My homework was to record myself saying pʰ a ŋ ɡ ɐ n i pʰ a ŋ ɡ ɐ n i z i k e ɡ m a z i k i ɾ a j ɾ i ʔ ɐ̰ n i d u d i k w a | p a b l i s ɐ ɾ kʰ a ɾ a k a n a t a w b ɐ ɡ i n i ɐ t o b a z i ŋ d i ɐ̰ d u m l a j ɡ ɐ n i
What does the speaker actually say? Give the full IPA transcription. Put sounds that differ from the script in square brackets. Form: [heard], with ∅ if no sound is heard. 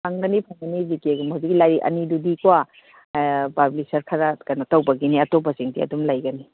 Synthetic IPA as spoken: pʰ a ŋ ɡ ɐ n i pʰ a ŋ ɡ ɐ n i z i k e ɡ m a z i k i [l] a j ɾ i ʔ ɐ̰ n i d u d i k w a | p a b l i s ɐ ɾ kʰ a ɾ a k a n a t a w b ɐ ɡ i n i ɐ t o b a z i ŋ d i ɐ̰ d u m l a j ɡ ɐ n i

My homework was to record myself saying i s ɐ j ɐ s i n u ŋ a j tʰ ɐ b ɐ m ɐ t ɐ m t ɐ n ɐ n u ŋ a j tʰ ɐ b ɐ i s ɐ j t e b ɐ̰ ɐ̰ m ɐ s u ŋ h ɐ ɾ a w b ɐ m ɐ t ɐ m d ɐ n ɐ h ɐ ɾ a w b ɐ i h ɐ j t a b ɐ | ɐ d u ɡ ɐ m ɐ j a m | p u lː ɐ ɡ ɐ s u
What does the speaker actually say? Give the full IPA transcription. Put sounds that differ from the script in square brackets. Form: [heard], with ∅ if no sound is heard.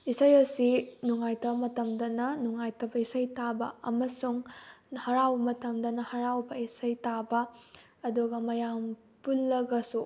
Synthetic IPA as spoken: i s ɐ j ɐ s i n u ŋ a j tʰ ɐ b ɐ m ɐ t ɐ m [d] ɐ n ɐ n u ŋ a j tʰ ɐ b ɐ i s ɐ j t [a] b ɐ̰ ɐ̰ m ɐ s u ŋ h ɐ ɾ a w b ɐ m ɐ t ɐ m d ɐ n ɐ h ɐ ɾ a w b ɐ i [s] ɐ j t a b ɐ | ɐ d u ɡ ɐ m ɐ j a m | p u lː ɐ ɡ ɐ s u

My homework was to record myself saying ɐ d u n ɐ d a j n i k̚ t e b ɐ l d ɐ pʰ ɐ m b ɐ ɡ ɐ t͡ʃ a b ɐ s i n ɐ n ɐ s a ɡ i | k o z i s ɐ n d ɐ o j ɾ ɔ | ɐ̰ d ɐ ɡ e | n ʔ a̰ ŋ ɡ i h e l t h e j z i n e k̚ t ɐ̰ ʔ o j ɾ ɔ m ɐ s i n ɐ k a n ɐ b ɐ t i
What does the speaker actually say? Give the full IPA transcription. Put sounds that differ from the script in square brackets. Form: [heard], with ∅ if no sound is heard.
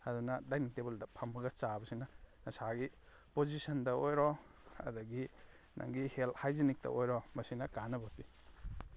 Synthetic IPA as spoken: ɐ d u n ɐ d a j n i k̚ t e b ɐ l d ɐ pʰ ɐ m b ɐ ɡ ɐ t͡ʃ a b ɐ s i n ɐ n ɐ s a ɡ i | [p] o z i s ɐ n d ɐ o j ɾ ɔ | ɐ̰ d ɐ ɡ [i] | n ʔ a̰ ŋ ɡ i h e l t h [a] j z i n [i] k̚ t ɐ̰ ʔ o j ɾ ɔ m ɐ s i n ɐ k a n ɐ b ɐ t i

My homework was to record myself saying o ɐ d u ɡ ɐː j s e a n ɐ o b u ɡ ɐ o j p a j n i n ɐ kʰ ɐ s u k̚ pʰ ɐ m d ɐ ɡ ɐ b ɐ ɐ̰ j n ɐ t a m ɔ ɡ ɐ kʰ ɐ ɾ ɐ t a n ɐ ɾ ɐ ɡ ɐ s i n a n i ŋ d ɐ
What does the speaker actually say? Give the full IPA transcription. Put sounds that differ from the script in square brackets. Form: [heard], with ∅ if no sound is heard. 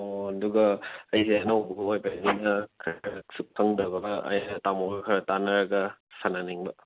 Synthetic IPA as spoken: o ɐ d u ɡ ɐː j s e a n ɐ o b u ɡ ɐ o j p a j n i n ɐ kʰ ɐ s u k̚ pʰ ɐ [ŋ] d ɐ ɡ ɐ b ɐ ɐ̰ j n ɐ t a m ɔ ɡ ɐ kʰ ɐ ɾ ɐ t a n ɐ ɾ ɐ ɡ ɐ s [a] n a n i ŋ [b] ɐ

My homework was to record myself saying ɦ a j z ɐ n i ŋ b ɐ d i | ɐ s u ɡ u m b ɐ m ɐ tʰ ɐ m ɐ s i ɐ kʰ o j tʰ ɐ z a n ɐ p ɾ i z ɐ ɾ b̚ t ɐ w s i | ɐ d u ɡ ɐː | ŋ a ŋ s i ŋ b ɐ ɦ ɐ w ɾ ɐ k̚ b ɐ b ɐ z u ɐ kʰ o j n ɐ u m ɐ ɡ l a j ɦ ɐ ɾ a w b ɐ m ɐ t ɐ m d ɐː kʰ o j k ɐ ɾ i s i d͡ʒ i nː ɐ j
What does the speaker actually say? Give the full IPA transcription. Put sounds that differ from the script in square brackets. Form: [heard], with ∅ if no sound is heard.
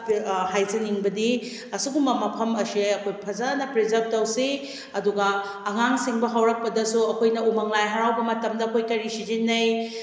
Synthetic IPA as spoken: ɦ a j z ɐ n i ŋ b ɐ d i | ɐ s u ɡ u m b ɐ m ɐ [pʰ] ɐ m ɐ s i ɐ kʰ o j [pʰ] ɐ z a n ɐ p ɾ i z ɐ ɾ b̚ t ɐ w s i | ɐ d u ɡ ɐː | ŋ a ŋ s i ŋ b ɐ ɦ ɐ w ɾ ɐ k̚ [p] ɐ [d] ɐ [s] u ɐ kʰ o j n ɐ u m ɐ [ŋ] l a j ɦ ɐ ɾ a w b ɐ m ɐ t ɐ m d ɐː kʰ o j k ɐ ɾ i s i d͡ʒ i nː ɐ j

